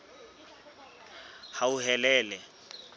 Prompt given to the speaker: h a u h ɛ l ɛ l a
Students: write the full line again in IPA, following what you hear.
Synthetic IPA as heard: h a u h ɛ l ɛː l ɛ

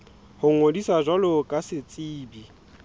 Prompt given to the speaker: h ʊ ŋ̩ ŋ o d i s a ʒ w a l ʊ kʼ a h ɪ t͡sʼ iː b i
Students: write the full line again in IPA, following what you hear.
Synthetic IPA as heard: h ʊ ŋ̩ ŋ o d i s a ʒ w a l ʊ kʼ a s ɪ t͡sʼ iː b i

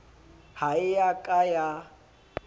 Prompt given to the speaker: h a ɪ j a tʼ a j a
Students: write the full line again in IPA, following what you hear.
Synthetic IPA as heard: h a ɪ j a kʼ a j a

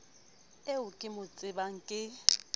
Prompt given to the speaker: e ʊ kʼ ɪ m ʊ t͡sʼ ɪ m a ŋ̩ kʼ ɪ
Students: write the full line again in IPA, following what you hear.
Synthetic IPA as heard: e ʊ kʼ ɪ m ʊ t͡sʼ ɪ b a ŋ̩ kʼ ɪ

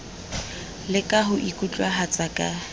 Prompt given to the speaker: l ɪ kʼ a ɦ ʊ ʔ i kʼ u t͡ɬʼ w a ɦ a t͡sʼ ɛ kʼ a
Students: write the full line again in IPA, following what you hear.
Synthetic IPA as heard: l ɪ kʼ a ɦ ʊ ʔ i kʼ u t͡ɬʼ w a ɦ a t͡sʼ a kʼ a

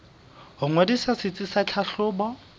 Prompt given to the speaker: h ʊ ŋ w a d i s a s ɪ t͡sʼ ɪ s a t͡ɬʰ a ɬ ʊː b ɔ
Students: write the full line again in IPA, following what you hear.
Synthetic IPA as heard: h ʊ ŋ w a d i s a s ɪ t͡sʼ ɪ s a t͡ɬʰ a ɬ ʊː b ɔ

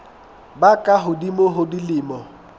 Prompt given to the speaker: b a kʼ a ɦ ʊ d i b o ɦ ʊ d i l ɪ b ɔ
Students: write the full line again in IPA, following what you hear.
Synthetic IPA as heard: b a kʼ a ɦ ʊ d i m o ɦ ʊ d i l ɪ m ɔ

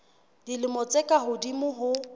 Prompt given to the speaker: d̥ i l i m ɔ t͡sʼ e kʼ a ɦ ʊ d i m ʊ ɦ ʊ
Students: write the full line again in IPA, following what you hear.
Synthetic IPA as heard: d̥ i l ɪ m ɔ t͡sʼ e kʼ a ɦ ʊ d i m ʊ ɦ ʊ

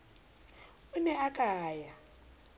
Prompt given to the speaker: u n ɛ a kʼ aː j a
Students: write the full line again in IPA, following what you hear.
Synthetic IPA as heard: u n ɛ a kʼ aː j a

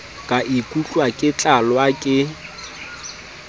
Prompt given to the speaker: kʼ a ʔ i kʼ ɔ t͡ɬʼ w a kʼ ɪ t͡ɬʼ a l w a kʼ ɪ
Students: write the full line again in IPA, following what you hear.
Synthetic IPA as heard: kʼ a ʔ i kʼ u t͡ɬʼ w a kʼ ɪ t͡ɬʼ a l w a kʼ ɪ

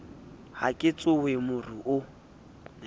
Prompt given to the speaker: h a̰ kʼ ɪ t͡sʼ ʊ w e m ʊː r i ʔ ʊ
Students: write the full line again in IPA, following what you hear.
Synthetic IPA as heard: h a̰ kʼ ɪ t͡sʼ ʊ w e m ʊ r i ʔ ʊ

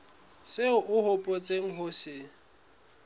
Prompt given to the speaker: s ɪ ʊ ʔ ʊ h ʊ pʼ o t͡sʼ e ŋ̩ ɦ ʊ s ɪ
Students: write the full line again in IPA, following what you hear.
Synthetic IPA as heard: s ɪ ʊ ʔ ʊ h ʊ pʼ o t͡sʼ e ŋ̩ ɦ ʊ s ɪ

